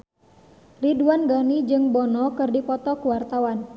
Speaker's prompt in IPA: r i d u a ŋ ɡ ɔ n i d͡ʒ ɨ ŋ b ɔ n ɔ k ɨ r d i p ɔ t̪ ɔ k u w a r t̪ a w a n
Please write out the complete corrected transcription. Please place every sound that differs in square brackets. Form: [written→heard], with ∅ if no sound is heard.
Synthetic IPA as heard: r i d u a [ŋ→n] ɡ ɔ n i d͡ʒ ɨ ŋ b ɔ n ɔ k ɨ r d i p ɔ t̪ ɔ k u w a r t̪ a w a n